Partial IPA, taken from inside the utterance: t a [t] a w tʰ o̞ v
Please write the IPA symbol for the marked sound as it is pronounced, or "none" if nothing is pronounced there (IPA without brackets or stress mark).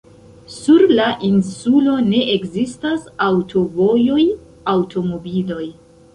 s